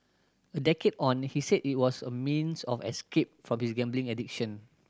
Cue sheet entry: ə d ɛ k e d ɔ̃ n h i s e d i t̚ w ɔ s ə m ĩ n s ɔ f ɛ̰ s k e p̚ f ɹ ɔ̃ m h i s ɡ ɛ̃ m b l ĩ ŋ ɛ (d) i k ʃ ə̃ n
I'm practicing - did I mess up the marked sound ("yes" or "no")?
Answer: no